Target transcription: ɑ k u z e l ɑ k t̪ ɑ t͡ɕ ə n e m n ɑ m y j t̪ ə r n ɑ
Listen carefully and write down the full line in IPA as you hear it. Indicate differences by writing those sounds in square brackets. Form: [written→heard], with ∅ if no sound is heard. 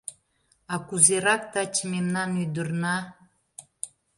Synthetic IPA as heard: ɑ k u z e [l→ɾ] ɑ k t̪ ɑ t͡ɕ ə [n→m] e m n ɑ [m→n] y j [t̪→d̪] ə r n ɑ